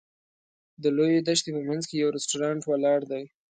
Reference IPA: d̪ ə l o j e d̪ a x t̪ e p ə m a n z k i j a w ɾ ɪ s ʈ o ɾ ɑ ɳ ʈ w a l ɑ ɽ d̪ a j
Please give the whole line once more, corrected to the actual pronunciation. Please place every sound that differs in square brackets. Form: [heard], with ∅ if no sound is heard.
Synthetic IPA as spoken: d̪ ə l o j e d̪ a [ʃ] t̪ e p ə m a n z k [e] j a w ɾ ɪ s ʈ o ɾ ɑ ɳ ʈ w a l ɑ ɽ d̪ a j